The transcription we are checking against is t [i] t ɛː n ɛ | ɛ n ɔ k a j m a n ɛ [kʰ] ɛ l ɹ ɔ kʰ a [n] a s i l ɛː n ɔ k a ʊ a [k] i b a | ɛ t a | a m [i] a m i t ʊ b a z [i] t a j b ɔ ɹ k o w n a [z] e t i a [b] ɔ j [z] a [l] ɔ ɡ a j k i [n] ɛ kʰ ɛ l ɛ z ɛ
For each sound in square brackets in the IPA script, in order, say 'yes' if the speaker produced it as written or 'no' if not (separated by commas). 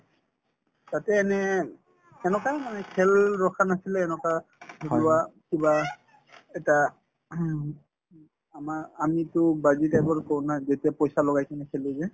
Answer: no, yes, yes, yes, no, yes, yes, no, no, yes, yes